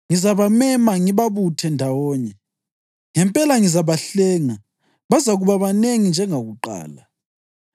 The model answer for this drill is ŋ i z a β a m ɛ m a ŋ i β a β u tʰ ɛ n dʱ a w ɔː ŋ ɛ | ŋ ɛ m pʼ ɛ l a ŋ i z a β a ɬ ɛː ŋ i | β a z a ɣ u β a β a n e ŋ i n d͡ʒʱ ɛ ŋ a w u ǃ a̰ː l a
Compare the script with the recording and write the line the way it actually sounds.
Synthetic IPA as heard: ŋ i z a β a m ɛ m a ŋ i β a β u tʰ ɛ n dʱ a w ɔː ɲ ɛ | ŋ ɛ m pʼ ɛ l a ŋ i z a β a ɬ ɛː ŋ a | β a z a ɣ u β a β a n e ŋ i n d͡ʒʱ ɛ ŋ a ɣ u ǃ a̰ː l a